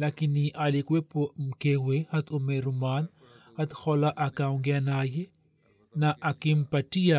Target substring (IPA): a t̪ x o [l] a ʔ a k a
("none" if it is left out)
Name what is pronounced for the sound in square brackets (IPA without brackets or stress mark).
l